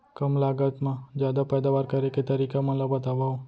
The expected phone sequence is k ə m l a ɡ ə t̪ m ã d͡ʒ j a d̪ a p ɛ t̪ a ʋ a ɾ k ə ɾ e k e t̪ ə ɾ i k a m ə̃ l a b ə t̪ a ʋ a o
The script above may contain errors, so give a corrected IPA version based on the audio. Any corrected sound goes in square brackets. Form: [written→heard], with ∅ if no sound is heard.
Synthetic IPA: k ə m l a ɡ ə t̪ m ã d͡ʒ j a d̪ a p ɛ [t̪→d̪] a ʋ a ɾ k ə ɾ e k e t̪ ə ɾ i k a m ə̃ l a b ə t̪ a ʋ a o